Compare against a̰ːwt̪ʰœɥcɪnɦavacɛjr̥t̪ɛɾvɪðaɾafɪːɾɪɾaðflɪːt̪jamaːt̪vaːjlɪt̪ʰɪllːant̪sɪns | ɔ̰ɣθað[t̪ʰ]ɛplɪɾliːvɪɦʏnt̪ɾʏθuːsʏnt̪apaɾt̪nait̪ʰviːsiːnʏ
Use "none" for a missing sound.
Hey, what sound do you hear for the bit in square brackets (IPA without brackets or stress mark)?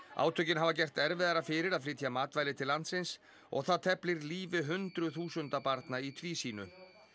t̪ʰ